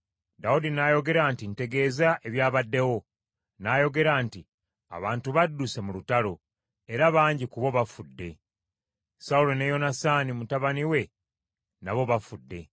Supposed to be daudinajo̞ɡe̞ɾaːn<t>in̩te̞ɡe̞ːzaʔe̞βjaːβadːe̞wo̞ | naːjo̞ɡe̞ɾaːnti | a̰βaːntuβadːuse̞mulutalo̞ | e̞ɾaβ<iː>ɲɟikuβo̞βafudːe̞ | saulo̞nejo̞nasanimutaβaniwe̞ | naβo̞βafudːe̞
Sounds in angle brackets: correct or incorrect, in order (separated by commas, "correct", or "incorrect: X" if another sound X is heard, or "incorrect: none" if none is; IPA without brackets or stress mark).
correct, incorrect: aː